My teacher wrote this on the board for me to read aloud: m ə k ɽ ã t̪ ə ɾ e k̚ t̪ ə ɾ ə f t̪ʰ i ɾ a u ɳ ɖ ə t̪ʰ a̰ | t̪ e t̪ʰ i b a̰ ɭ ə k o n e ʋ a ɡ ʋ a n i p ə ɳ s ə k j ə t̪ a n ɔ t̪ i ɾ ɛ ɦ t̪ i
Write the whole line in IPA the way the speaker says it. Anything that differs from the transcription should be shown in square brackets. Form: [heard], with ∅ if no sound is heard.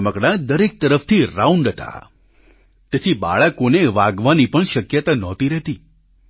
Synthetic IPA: m ə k ɽ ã [d̪] ə ɾ e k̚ t̪ ə ɾ ə f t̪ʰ i ɾ a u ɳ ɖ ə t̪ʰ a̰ | t̪ e t̪ʰ i b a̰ ɭ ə k o n e ʋ a ɡ ʋ a n i p ə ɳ [ʃ] ə k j ə t̪ a n ɔ t̪ i ɾ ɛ ɦ t̪ i